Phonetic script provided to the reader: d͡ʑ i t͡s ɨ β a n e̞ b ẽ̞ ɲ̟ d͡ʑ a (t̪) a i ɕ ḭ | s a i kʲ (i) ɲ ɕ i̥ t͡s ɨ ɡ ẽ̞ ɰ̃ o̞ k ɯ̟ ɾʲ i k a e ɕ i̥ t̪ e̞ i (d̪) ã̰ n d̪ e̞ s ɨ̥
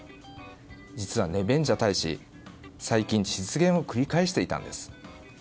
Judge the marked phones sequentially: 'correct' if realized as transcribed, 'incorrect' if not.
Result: correct, incorrect: ĩ, incorrect: t̪

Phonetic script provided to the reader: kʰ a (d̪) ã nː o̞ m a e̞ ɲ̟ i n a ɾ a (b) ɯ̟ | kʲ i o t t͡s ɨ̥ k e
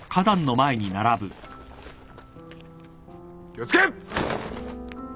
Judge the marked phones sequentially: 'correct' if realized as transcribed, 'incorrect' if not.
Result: correct, correct

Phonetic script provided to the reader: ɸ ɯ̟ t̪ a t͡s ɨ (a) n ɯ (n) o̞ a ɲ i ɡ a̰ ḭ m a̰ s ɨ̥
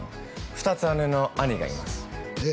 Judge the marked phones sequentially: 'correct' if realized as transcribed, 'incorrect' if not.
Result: correct, correct

